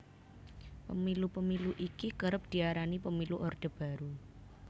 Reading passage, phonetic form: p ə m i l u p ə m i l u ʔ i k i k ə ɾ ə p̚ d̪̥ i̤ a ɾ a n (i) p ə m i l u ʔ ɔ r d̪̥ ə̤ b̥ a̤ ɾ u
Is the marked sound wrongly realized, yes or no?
no